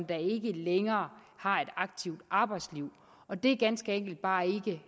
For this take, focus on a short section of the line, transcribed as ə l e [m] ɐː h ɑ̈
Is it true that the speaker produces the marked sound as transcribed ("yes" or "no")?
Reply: no